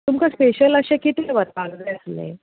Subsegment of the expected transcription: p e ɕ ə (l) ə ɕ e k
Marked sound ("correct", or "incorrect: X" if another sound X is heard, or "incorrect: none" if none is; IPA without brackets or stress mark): correct